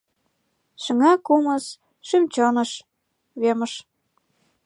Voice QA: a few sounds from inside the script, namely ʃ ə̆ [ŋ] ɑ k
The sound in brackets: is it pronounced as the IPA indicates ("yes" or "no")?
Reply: yes